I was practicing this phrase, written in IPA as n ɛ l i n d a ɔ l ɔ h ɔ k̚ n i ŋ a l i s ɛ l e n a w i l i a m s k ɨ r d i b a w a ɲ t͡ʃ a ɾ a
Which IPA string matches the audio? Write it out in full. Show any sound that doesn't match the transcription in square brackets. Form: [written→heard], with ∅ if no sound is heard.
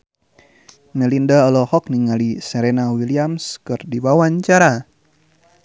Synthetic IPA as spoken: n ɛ l i n d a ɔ l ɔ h ɔ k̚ n i ŋ a l i s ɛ [l→ɾ] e n a w i l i a m s k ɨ r d i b a w a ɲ t͡ʃ a ɾ a